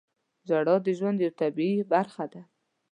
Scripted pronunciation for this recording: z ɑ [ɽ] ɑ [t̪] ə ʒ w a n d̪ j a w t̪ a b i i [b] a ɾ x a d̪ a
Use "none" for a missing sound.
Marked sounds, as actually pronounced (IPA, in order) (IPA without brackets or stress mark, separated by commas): ɽ, d̪, b